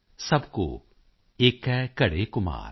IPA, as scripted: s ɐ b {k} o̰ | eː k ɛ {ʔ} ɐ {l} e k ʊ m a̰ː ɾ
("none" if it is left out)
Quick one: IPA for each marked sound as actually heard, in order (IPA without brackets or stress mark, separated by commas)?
k, k, ɽ